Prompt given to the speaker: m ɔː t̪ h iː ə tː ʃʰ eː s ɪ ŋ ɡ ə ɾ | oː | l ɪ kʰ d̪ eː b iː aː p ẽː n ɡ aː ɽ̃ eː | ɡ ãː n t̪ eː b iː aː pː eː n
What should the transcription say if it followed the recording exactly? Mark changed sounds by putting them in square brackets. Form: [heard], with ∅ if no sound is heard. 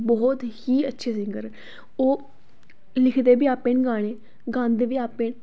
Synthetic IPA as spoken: [b] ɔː t̪ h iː ə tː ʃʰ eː s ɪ ŋ ɡ ə ɾ | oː | l ɪ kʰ d̪ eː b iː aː p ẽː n ɡ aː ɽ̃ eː | ɡ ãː n [d̪] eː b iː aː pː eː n